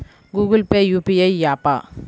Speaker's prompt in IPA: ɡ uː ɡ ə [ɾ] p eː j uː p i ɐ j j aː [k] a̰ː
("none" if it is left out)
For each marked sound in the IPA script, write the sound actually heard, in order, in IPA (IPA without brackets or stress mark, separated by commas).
l, p